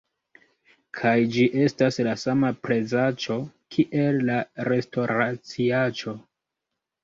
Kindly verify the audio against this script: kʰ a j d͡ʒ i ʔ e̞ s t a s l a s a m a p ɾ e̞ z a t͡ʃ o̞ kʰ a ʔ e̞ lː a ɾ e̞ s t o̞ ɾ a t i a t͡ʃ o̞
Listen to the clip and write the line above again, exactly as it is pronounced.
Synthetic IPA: kʰ a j d͡ʒ i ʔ e̞ s t a s l a s a m a p ɾ e̞ z a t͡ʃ o̞ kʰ i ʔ e̞ lː a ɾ e̞ s t o̞ ɾ a t͡s i a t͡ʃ o̞